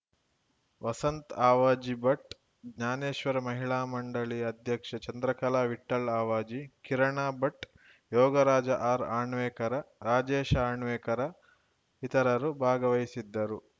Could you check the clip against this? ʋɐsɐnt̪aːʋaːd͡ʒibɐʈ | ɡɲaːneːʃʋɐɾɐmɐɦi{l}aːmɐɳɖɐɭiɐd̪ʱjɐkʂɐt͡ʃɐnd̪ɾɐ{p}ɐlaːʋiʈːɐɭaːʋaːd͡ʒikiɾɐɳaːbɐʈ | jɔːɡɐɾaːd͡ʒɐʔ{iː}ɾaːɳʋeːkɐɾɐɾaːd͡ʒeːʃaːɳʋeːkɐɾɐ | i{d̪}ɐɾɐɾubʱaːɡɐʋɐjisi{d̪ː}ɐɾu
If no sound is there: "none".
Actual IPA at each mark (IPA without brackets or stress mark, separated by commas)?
ɭ, k, aː, t̪, d̪ː